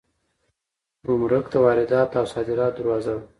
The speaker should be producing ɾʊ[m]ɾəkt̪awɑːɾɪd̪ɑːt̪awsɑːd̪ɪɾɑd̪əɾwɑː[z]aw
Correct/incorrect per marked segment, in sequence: correct, correct

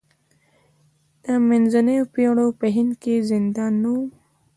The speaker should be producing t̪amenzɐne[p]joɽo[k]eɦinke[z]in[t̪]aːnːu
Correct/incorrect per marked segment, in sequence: correct, incorrect: p, correct, incorrect: d̪

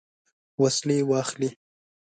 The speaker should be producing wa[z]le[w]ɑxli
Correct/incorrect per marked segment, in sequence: incorrect: s, correct

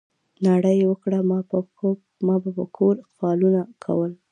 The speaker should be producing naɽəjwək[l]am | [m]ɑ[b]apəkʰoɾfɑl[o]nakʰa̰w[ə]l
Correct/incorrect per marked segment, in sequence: incorrect: ɽ, correct, correct, incorrect: u, correct

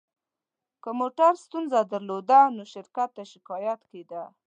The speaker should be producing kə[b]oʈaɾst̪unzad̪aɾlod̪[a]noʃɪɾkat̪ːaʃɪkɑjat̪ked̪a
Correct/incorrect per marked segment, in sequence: incorrect: m, correct

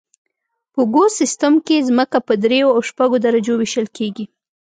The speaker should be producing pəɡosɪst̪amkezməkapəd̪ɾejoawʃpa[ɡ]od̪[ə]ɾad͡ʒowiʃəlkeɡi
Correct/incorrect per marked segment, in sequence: correct, incorrect: a

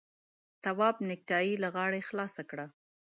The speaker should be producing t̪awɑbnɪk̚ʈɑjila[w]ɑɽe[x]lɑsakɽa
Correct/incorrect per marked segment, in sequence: incorrect: ɣ, correct

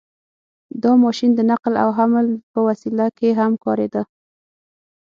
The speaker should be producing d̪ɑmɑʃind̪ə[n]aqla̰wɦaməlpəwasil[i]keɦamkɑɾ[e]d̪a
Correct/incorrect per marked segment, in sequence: correct, incorrect: a, correct

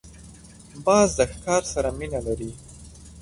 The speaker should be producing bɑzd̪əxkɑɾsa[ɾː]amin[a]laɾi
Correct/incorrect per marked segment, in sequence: incorrect: ɾ, correct

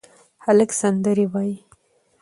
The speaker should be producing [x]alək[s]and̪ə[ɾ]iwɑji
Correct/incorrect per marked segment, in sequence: incorrect: h, correct, correct

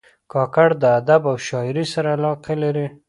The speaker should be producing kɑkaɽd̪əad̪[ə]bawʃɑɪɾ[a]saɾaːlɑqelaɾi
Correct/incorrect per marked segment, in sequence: incorrect: a, incorrect: i

